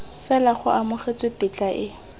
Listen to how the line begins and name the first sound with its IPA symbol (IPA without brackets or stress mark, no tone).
f